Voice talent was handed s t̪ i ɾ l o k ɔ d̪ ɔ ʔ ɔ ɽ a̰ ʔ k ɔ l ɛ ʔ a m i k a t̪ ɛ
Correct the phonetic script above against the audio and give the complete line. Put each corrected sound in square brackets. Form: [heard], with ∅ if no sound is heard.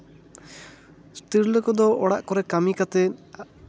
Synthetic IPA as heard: s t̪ i ɾ l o k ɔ d̪ ɔ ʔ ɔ ɽ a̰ ʔ k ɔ [ɾ] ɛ [k] a m i k a t̪ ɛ